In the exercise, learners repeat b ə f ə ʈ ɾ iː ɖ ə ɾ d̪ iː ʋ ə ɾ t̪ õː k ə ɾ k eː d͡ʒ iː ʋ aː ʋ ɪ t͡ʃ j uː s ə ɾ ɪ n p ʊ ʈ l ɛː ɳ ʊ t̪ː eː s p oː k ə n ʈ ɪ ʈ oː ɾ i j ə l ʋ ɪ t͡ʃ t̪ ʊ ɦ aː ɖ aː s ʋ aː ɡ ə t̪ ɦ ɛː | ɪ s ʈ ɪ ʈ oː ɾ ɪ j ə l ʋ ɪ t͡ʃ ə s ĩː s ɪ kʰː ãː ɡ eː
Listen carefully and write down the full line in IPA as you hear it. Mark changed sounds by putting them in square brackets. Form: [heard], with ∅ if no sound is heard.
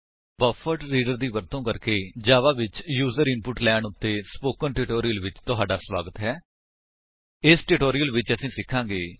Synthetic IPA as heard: b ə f ə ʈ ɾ iː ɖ ə ɾ d̪ iː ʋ ə ɾ t̪ õː k ə ɾ k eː d͡ʒ [aː] ʋ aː ʋ ɪ t͡ʃ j uː [z] ə ɾ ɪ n p ʊ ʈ l ɛː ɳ ʊ t̪ː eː s p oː k ə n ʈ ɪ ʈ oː ɾ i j ə l ʋ ɪ t͡ʃ t̪ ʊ ɦ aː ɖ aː s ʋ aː ɡ ə t̪ ɦ ɛː | ɪ s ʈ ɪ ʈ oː ɾ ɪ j ə l ʋ ɪ t͡ʃ ə s ĩː s ɪ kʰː ãː ɡ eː